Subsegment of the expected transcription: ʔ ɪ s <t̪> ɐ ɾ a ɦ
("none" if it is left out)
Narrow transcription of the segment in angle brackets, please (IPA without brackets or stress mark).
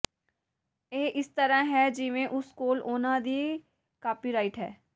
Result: t̪